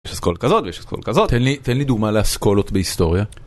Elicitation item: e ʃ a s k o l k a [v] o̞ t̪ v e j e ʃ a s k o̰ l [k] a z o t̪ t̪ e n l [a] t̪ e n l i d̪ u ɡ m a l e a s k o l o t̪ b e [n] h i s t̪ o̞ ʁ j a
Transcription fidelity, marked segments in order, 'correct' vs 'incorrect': incorrect: z, correct, incorrect: i, incorrect: none

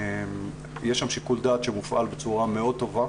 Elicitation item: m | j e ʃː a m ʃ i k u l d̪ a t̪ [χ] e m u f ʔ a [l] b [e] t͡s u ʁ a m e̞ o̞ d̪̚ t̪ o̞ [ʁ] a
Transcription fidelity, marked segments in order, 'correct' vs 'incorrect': incorrect: ʃ, correct, correct, incorrect: v

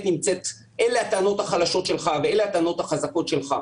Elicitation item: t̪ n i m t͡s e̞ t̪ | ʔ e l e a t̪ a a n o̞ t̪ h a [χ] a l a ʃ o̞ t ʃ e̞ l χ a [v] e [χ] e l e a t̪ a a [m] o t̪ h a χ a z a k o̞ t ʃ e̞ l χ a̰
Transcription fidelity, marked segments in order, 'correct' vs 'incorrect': correct, correct, incorrect: none, incorrect: n

